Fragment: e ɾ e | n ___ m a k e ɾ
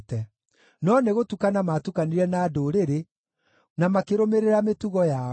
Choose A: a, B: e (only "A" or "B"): A